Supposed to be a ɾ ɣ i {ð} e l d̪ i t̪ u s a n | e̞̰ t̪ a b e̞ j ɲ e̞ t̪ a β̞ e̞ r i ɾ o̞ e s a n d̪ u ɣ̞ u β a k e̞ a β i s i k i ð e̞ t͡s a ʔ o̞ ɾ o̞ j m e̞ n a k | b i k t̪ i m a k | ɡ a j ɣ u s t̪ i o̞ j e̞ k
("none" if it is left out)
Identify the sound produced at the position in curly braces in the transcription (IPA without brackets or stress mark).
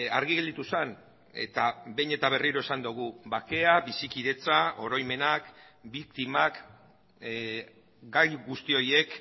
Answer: ɣ